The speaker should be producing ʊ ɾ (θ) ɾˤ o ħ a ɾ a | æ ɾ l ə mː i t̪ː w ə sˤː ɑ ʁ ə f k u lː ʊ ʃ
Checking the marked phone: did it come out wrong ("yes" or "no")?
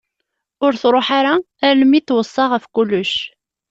no